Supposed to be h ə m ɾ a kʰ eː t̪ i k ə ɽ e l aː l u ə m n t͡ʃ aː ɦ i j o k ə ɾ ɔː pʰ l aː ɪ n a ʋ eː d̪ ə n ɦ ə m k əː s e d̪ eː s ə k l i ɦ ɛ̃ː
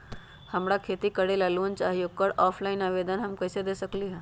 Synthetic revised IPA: h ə m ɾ a kʰ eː t̪ i k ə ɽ e l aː l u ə n t͡ʃ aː ɦ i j o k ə ɾ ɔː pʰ l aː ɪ n a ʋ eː d̪ ə n ɦ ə m k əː s e d̪ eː s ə k l i ɦ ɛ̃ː